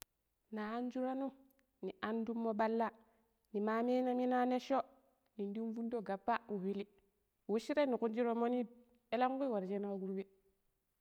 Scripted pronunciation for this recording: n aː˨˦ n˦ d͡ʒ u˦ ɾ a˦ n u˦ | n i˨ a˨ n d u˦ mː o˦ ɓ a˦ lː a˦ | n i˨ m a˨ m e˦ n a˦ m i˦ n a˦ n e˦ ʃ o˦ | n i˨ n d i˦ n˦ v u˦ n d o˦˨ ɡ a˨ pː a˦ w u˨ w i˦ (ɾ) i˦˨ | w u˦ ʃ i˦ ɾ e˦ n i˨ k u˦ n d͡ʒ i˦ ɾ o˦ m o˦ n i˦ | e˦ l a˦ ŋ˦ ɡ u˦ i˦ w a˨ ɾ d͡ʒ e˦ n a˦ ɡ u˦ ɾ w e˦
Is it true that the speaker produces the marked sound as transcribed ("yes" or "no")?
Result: no